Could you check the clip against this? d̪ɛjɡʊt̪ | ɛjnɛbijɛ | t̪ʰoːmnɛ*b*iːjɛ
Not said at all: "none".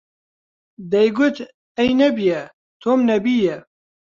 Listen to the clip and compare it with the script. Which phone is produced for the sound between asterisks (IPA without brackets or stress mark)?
b